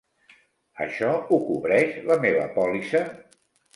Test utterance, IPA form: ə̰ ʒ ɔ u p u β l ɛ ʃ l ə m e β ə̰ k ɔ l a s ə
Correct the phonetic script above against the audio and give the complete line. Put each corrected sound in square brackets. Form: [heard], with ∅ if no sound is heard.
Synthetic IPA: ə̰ [ʃ] ɔ u [k] u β [ɾ] ɛ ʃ l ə m e β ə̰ [p] ɔ l [i] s ə